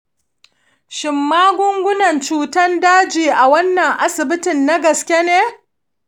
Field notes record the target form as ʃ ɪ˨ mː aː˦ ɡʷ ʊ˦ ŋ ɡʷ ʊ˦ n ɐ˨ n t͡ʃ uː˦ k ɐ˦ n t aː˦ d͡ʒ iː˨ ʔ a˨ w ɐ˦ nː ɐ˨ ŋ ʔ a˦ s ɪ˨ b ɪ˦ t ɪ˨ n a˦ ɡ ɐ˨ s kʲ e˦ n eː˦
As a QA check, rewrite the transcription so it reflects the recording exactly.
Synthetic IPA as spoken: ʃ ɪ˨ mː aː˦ ɡʷ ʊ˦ ŋ ɡʷ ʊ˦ n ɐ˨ n t͡ʃ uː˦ t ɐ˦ n d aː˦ d͡ʒ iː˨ ʔ a˨ w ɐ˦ nː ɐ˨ ŋ ʔ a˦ s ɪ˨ b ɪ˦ t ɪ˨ nː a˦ ɡ ɐ˨ s kʲ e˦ n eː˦